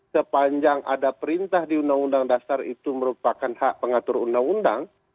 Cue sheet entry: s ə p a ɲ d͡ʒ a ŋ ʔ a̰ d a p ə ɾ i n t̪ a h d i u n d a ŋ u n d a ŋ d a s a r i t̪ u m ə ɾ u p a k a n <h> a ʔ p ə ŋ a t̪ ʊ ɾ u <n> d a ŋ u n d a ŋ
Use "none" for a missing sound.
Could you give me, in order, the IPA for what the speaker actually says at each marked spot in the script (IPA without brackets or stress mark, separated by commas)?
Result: h, n